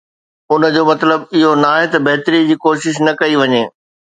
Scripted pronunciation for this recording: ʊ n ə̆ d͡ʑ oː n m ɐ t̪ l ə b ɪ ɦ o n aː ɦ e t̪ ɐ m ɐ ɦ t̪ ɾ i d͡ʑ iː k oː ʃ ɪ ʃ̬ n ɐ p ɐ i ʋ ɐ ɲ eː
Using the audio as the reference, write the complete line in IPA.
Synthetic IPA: ʊ n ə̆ d͡ʑ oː m ɐ t̪ l ə b ɪ ɦ o n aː ɦ e t̪ ɐ b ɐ ɦ t̪ ɾ i d͡ʑ iː k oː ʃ ɪ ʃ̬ n ɐ k ɐ i ʋ ɐ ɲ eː